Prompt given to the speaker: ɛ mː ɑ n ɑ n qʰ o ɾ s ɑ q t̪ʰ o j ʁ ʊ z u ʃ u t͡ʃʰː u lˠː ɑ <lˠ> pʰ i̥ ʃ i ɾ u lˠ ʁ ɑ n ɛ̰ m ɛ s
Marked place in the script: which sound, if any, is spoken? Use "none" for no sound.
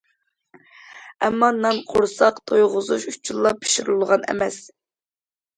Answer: none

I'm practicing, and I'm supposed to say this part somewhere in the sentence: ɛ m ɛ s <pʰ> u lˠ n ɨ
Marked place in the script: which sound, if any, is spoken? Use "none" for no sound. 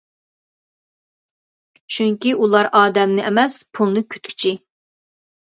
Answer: pʰ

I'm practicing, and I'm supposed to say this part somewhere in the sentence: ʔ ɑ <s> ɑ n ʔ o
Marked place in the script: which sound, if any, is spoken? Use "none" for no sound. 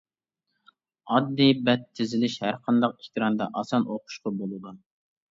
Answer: s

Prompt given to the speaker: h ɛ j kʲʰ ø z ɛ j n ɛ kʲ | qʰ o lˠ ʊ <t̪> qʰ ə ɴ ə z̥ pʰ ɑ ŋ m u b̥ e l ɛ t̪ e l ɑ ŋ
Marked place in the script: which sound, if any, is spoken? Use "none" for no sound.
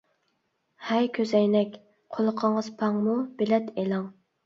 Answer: none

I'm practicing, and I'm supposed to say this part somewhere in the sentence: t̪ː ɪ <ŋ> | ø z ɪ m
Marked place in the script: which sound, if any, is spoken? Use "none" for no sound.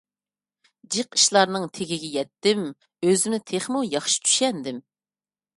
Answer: m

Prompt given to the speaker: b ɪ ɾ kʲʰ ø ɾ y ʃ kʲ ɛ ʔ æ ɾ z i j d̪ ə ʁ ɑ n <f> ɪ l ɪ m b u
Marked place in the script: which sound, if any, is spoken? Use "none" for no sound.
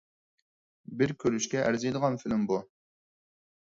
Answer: f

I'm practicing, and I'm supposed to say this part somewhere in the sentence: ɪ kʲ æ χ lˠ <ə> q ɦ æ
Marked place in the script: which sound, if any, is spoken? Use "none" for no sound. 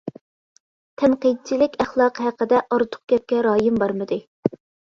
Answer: ɑ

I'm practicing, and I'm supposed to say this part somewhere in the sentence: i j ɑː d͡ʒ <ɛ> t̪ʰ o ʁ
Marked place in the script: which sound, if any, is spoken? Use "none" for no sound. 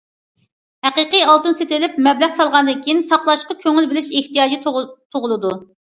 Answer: i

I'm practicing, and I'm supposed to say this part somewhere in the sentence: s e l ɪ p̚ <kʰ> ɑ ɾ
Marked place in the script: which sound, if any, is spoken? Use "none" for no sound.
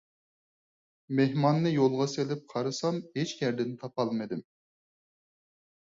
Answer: qʰ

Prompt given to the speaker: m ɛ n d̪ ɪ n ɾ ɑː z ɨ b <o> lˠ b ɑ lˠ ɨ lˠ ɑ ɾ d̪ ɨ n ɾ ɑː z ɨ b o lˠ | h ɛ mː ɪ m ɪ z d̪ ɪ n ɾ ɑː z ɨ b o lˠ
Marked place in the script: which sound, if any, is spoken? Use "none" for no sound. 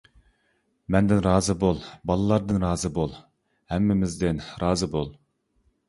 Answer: o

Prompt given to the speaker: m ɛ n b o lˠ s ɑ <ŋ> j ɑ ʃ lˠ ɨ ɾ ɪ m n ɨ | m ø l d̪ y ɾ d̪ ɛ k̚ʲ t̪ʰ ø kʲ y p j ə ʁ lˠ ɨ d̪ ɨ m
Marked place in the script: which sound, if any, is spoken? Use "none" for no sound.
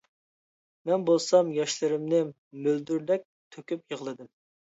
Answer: m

